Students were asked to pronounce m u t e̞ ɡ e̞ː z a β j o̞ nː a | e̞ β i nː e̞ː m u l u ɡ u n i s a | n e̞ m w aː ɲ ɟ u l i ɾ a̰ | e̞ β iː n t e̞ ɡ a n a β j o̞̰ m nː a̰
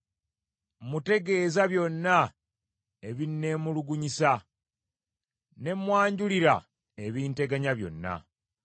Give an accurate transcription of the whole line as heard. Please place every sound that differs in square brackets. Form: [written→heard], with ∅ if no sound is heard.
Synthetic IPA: m u t e̞ ɡ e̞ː z a β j o̞ nː a | e̞ β i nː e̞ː m u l u ɡ u [n→ɲ] i s a | n e̞ m w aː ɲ ɟ u l i ɾ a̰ | e̞ β iː n t e̞ ɡ a [n→ɲ] a β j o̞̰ [m→∅] nː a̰